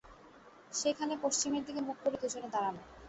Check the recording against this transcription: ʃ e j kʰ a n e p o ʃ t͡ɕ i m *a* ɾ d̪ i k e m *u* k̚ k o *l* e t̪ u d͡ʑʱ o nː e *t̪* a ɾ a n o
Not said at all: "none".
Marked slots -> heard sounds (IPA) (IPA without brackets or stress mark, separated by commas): e, u, ɾ, d̪